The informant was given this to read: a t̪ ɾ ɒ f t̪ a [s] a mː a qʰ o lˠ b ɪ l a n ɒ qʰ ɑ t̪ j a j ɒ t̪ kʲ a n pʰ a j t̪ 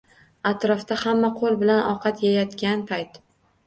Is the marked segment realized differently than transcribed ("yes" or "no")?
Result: yes